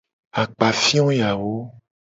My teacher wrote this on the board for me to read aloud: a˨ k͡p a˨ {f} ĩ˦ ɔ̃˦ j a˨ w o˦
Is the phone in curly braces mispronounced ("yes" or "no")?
no